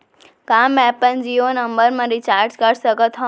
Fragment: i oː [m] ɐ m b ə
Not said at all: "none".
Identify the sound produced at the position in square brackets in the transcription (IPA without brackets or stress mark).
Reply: n